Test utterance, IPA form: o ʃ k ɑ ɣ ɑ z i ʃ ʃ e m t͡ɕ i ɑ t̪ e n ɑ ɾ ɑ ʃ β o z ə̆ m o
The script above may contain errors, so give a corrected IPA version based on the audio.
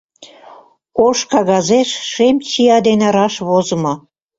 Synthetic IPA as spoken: o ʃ k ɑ ɣ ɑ z e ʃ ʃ e m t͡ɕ i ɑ d̪ e n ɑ ɾ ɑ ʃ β o z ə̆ m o

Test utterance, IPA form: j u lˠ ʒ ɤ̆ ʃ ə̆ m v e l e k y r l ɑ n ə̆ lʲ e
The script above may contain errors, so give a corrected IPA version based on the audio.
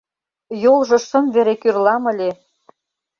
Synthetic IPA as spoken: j o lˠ ʒ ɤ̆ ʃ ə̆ m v e ɾ e k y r l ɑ m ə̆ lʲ e

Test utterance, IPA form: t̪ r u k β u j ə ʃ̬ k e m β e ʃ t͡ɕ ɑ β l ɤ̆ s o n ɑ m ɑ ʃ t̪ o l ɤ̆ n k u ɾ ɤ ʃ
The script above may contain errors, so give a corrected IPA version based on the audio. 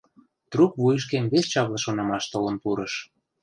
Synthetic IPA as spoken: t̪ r u k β u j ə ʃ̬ k e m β e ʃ t͡ɕ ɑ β l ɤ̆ ʃ o n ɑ m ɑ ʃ t̪ o l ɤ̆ n p u ɾ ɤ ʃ

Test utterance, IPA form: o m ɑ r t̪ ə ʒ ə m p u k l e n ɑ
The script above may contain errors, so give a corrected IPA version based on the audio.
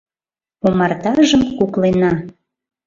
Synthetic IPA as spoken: o m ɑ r t̪ ɑ ʒ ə m k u k l e n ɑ

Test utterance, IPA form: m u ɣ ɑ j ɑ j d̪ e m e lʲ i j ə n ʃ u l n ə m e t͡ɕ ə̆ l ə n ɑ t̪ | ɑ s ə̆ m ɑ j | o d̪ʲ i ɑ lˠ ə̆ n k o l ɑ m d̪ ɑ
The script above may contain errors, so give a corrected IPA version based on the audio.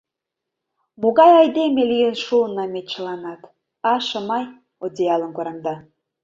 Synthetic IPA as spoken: m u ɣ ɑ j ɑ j d̪ e m e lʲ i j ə n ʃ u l n ɑ m e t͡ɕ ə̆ l ɑ n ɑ t̪ | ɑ ʃ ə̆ m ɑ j | o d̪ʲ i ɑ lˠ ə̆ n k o ɾ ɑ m d̪ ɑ

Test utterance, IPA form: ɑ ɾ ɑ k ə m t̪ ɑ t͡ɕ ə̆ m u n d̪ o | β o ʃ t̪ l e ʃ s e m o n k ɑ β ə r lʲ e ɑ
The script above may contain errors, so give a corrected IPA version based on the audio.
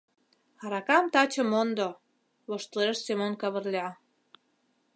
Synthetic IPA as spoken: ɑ ɾ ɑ k ɑ m t̪ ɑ t͡ɕ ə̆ m o n d̪ o | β o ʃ t̪ l e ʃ s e m o n k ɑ β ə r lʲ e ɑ

